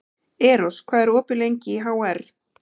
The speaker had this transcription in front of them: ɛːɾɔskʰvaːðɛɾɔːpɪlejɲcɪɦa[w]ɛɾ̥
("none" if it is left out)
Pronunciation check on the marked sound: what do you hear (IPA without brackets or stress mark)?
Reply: w